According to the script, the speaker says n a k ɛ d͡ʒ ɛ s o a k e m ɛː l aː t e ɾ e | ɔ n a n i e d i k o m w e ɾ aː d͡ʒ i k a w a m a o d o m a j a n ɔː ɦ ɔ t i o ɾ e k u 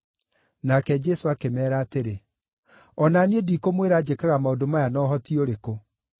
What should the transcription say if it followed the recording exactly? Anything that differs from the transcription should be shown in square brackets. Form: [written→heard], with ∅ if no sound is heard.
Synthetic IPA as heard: n a k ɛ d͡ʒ ɛ s o a k e m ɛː [l→ɾ] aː t e ɾ e | ɔ n a n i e d i k o m w e ɾ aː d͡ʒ [i→e] k a [w→ɣ] a m a o d o m a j a n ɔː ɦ ɔ t i o ɾ e k [u→o]